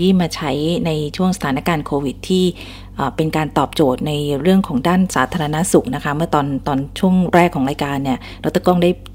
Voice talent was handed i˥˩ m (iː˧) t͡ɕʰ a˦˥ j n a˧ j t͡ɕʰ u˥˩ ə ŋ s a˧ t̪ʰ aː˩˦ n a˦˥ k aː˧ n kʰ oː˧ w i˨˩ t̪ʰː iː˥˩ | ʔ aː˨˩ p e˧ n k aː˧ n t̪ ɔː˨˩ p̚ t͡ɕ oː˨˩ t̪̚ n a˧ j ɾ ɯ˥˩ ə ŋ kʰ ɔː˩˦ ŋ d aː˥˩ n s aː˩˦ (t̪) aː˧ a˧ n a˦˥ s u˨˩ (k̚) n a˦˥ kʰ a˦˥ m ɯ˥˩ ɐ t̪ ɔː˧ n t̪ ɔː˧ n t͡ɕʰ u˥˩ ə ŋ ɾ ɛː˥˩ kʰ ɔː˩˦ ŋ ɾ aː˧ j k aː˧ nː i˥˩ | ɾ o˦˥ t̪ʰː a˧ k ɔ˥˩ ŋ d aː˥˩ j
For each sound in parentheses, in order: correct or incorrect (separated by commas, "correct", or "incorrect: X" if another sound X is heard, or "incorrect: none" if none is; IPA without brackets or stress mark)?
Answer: incorrect: aː˧, incorrect: t̪ʰ, correct